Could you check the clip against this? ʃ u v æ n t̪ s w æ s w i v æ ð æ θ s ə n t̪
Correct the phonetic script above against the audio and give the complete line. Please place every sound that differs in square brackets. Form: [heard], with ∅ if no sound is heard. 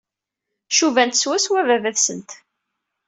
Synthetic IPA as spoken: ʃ u v æ n t̪ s w æ s w [æ] v æ [v] æ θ s ə n t̪